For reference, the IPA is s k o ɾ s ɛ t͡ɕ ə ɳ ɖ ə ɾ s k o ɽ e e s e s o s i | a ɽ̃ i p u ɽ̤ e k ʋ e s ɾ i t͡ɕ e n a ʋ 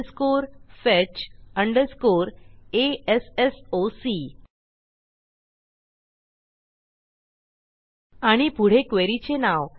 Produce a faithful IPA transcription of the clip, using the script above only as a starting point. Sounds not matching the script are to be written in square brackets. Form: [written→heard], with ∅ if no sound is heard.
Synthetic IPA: s k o ɾ [s→f] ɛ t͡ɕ ə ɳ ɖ ə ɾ s k o [ɽ→ɾ] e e s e s o s i | a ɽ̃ i p u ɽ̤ e k ʋ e [s→∅] ɾ i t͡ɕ e n a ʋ

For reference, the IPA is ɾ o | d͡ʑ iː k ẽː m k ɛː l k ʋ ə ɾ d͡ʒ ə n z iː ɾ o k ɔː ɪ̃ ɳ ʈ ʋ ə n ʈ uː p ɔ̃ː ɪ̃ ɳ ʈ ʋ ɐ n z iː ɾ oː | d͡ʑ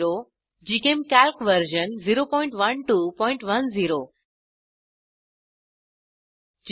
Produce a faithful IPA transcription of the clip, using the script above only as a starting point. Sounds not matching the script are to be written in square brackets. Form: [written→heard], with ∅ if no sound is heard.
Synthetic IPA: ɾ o | d͡ʑ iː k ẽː m k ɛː l k ʋ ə ɾ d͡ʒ ə n z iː ɾ o [k→p] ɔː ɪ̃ ɳ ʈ ʋ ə n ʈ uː p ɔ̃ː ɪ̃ ɳ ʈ ʋ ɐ n z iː ɾ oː | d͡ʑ

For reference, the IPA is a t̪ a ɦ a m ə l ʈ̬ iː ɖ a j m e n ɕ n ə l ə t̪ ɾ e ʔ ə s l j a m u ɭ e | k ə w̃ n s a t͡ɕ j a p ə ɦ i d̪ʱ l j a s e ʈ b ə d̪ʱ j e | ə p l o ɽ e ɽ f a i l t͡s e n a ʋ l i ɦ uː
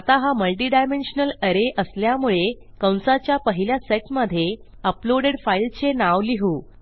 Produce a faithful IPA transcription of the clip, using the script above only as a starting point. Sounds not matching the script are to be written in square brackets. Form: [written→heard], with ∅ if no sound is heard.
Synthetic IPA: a t̪ a ɦ a m ə l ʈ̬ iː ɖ a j m e n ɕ n ə l ə [t̪→∅] ɾ e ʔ ə s l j a m u ɭ e | k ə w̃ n s a t͡ɕ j a p ə ɦ i [d̪ʱ→∅] l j a s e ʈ [b→m] ə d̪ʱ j e | ə p l o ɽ e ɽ f a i l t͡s e n a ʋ l i ɦ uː

